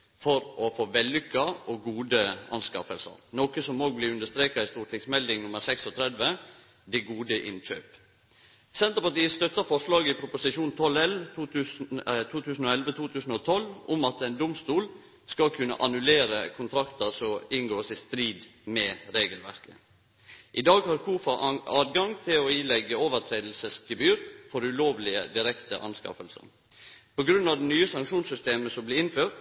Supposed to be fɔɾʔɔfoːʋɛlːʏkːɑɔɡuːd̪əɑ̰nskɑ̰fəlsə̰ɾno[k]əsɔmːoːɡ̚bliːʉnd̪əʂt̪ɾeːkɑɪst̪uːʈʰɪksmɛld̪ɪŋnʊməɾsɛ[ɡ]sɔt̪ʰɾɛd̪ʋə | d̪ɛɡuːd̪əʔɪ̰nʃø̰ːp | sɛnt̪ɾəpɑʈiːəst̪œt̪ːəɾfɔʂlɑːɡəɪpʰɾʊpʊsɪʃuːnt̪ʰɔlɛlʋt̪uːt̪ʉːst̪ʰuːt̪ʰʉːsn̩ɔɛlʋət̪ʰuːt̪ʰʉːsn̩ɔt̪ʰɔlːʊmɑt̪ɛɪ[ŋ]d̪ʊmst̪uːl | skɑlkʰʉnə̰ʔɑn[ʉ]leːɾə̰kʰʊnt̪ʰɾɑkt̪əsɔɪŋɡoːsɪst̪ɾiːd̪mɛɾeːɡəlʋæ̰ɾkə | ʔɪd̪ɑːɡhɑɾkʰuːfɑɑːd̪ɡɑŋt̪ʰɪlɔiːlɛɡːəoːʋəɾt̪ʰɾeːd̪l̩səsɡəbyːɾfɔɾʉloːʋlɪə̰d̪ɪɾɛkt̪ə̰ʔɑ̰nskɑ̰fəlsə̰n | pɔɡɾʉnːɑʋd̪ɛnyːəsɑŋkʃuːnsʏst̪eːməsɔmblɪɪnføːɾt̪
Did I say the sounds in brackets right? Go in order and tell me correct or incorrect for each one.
correct, incorrect: k, incorrect: n, correct

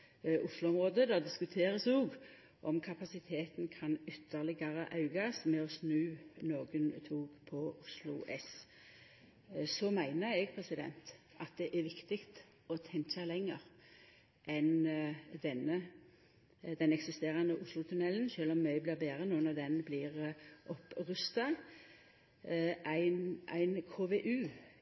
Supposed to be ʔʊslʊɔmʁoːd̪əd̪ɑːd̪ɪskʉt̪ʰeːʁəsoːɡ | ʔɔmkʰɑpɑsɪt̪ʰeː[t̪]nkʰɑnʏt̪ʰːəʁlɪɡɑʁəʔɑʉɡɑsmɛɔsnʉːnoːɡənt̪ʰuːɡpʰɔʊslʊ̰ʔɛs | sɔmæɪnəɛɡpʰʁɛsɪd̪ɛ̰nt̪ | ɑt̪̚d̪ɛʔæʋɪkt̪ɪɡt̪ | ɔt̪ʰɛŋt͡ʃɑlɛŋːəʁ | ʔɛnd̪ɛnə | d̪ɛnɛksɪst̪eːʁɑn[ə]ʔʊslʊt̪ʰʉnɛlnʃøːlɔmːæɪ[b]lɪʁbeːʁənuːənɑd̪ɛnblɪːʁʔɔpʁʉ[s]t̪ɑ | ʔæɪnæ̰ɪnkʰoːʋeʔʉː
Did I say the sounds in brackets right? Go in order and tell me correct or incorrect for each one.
correct, correct, correct, correct

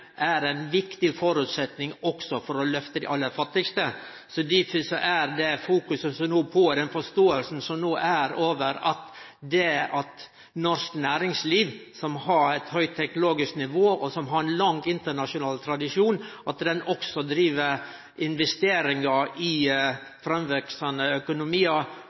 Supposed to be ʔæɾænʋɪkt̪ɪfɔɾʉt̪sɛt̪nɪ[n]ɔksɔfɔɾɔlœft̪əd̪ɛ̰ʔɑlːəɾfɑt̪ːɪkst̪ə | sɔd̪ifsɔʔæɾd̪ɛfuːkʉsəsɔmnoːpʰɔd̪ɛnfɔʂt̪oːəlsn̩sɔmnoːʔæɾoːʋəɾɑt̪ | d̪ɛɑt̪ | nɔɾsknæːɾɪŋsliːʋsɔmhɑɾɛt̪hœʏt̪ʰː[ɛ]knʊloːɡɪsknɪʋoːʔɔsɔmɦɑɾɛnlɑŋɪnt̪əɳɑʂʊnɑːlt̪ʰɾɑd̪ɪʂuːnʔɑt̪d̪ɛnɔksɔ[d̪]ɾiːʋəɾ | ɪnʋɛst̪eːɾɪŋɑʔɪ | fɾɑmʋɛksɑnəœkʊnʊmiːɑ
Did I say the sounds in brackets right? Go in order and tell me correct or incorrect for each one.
incorrect: ŋ, correct, correct

